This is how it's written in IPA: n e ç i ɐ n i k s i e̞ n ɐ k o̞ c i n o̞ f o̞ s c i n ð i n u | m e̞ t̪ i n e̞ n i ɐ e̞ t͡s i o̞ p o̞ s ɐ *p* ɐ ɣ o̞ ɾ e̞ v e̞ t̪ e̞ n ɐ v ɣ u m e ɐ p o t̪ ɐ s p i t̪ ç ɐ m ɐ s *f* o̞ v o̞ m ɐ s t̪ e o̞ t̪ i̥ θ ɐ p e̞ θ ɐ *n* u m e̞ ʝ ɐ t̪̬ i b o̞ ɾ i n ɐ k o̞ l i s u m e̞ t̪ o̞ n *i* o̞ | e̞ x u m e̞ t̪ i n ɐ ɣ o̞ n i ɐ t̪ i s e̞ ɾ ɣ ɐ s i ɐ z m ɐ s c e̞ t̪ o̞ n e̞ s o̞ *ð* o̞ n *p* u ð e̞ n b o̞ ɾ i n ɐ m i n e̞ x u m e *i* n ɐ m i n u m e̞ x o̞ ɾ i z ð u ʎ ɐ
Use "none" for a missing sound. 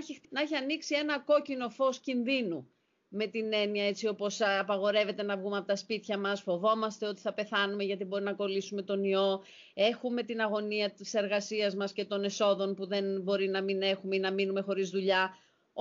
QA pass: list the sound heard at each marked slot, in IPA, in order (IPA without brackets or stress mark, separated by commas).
p, f, n, i, ð, p, i